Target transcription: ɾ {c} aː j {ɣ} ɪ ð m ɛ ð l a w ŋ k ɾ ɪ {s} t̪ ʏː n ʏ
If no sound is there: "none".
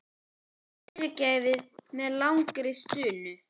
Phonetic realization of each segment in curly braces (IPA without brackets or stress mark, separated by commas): c, v, s